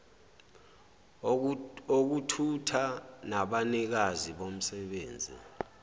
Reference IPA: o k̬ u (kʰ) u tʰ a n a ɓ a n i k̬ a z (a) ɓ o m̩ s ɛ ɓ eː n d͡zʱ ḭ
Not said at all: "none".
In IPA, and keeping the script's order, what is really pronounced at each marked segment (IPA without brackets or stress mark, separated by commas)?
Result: tʰ, i